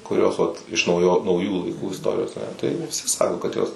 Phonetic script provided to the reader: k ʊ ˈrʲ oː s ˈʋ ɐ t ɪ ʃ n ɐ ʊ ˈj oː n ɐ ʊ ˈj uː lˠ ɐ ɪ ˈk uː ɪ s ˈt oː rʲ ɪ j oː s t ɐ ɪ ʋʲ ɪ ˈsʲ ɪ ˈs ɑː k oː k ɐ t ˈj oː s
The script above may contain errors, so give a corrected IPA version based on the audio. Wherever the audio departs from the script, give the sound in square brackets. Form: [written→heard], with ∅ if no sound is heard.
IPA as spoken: k ʊ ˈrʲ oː s ˈʋ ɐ t ɪ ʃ n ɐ ʊ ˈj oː n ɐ ʊ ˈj uː lˠ ɐ ɪ ˈk uː ɪ s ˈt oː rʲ ɪ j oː s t ɐ ɪ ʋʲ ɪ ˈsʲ ɪ ˈs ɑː k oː k ɐ t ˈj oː s

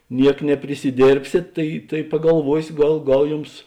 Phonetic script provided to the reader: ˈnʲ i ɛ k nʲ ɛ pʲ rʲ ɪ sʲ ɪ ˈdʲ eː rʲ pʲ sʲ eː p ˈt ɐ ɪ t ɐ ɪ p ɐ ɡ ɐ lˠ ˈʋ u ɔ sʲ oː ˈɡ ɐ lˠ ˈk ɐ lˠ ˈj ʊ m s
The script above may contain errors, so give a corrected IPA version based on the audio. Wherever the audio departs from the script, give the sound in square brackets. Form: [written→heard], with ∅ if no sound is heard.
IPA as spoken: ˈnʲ i ɛ k nʲ ɛ pʲ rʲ ɪ sʲ ɪ ˈdʲ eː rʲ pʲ sʲ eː [p→t] ˈt ɐ ɪ t ɐ ɪ p ɐ ɡ ɐ lˠ ˈʋ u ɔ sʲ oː ˈɡ ɐ lˠ [ˈk→ˈɡ] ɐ lˠ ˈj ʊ m s

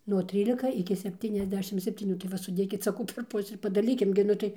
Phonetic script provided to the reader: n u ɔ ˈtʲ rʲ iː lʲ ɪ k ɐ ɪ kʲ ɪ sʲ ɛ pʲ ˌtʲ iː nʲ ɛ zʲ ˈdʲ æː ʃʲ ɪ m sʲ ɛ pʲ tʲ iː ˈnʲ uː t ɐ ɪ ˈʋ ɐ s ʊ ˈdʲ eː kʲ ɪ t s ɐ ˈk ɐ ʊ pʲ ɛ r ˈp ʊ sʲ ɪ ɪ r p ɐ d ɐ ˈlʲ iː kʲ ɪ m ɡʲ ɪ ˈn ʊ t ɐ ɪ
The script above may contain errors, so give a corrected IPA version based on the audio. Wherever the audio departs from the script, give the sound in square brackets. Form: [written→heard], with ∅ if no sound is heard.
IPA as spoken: n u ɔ ˈtʲ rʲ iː lʲ ɪ k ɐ ɪ kʲ ɪ sʲ ɛ pʲ ˌtʲ iː nʲ ɛ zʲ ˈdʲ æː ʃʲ ɪ m sʲ ɛ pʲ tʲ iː ˈnʲ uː t ɐ ɪ ˈʋ ɐ s ʊ ˈdʲ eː kʲ ɪ t s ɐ ˈk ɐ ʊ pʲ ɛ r ˈp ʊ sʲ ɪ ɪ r p ɐ d ɐ ˈlʲ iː kʲ ɪ m ɡʲ ɪ ˈn ʊ t ɐ ɪ

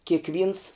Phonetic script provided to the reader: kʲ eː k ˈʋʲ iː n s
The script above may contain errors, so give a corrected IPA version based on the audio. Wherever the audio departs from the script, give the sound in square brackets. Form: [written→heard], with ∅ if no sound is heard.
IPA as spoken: kʲ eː k ˈʋʲ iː n s

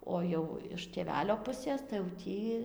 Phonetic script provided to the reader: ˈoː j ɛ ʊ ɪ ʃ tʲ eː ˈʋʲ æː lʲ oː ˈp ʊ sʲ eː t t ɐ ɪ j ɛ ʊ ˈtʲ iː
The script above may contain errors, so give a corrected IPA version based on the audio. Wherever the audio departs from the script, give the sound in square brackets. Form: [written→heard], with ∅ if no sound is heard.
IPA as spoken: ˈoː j ɛ ʊ ɪ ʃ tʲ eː ˈʋʲ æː lʲ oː ˈp ʊ sʲ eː [t→s] t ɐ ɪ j ɛ ʊ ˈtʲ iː

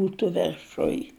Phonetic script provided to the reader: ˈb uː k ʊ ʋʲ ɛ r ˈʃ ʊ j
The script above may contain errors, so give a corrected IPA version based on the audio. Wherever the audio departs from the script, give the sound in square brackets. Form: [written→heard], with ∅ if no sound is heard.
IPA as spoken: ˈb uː [k→t] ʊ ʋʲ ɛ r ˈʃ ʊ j

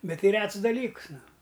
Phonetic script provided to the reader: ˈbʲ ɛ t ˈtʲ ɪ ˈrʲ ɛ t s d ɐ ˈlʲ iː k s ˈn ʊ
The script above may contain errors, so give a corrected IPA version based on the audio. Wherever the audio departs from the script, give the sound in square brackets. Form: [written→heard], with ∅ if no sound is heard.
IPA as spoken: ˈbʲ ɛ t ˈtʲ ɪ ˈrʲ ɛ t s d ɐ ˈlʲ iː k s ˈn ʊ

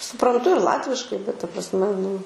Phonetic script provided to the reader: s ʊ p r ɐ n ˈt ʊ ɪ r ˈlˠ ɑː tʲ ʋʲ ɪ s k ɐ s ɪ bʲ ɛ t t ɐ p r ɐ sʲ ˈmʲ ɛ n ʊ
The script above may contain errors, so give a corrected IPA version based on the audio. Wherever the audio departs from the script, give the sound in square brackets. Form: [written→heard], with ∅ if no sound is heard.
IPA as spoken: s ʊ p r ɐ n ˈt ʊ ɪ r ˈlˠ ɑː tʲ ʋʲ ɪ [s→ʃ] k ɐ [s→∅] ɪ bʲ ɛ t t ɐ p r ɐ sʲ ˈmʲ ɛ n ʊ

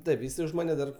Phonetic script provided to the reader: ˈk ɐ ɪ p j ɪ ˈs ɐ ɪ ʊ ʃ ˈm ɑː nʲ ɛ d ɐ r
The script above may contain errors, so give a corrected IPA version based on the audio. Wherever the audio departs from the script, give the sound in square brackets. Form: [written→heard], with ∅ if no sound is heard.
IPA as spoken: [ˈk→ˈt] ɐ ɪ p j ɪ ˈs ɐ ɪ ʊ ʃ ˈm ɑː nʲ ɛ d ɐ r

